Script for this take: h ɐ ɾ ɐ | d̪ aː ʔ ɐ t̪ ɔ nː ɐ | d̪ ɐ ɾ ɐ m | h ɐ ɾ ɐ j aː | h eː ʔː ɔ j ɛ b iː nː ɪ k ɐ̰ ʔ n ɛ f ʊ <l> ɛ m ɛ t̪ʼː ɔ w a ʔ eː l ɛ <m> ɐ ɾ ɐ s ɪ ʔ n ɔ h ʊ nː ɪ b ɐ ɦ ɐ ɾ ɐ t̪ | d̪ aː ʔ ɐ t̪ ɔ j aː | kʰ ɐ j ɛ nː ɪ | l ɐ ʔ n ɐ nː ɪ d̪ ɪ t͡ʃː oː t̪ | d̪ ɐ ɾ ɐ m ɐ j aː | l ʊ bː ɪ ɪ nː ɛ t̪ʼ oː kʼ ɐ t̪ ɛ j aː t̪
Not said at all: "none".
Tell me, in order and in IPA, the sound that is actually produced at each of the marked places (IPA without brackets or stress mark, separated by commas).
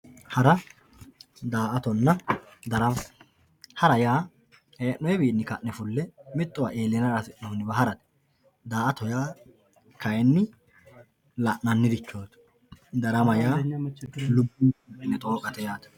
lː, n